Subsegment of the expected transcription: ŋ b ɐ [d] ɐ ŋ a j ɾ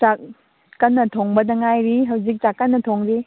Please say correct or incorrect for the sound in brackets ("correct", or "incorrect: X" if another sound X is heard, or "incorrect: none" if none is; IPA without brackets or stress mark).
correct